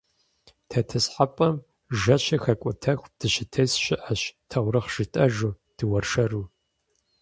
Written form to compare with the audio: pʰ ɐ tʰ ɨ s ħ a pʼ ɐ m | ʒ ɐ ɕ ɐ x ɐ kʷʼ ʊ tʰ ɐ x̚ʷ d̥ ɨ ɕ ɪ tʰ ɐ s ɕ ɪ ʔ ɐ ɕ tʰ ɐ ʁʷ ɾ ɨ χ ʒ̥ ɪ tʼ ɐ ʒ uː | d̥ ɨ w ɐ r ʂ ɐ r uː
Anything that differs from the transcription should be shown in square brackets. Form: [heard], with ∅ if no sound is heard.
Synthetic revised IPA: [tʰ] ɐ tʰ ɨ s ħ a pʼ ɐ m | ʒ ɐ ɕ ɐ x ɐ kʷʼ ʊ tʰ ɐ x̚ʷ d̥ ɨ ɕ ɪ tʰ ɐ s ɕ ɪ ʔ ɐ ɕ tʰ ɐ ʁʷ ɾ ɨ χ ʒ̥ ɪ tʼ ɐ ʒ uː | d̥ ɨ w ɐ r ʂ ɐ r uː